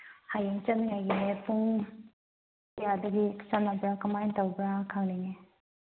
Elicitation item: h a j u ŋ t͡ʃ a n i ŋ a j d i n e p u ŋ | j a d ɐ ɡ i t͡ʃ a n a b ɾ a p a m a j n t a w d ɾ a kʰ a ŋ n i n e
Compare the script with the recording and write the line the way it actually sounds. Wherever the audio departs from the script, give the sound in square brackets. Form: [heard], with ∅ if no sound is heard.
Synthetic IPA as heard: h a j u ŋ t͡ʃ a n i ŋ a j [ɡ] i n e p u ŋ | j a d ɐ ɡ i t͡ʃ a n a b ɾ a [k] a m a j n t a w [b] ɾ a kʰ a ŋ n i n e

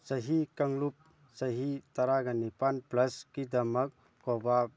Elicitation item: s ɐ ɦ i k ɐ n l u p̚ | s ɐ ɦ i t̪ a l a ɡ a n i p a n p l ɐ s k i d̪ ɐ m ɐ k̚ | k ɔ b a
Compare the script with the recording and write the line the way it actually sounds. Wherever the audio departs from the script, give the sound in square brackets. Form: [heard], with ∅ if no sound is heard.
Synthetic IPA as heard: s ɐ ɦ i k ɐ [ŋ] l u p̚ | s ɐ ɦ i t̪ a [ɾ] a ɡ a n i p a n p l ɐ s k i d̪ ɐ m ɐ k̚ | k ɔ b a

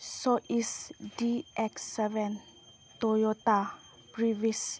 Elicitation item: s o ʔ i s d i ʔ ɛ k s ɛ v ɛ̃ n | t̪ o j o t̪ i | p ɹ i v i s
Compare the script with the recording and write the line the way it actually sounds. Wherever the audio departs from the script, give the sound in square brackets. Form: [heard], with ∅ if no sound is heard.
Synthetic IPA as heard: s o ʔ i s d i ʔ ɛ k s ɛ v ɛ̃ n | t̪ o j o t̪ [a] | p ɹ i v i s

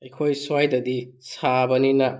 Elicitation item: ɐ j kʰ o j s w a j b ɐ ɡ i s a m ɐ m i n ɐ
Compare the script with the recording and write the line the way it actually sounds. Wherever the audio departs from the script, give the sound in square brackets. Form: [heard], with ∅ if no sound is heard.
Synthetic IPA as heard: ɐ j kʰ o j s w a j [d] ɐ [d] i s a [b] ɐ [n] i n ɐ

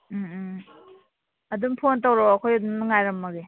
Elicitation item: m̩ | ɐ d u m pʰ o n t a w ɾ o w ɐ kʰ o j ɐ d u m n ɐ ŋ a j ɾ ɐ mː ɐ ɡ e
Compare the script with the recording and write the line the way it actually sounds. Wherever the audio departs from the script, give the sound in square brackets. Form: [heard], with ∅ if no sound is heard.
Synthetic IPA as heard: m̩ | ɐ d u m pʰ o n t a w ɾ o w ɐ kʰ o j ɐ d u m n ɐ ŋ a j ɾ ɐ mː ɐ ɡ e

